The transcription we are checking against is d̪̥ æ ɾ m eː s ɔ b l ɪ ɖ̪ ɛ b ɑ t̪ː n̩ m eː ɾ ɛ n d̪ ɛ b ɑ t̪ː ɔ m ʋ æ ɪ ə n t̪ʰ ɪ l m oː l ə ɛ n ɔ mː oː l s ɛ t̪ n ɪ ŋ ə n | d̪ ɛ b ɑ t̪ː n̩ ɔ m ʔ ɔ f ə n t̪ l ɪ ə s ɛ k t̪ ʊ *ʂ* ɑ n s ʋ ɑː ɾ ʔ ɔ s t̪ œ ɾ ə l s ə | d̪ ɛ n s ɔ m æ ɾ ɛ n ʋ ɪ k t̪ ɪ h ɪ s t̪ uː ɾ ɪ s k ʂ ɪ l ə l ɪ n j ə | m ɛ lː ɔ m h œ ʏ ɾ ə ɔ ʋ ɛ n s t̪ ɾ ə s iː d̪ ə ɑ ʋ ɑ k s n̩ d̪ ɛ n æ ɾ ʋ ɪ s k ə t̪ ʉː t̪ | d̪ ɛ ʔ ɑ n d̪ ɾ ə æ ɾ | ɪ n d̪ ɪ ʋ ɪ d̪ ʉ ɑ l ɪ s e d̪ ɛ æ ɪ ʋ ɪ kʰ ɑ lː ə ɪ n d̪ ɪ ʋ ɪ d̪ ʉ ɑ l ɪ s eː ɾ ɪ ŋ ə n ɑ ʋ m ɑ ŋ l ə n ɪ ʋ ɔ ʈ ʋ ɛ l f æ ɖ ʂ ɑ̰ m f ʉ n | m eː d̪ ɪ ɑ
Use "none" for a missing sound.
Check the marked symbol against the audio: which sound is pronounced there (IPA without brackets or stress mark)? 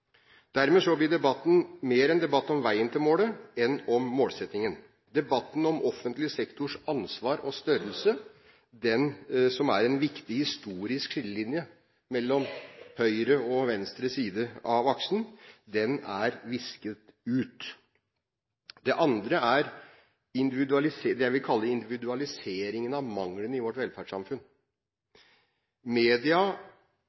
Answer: ʂ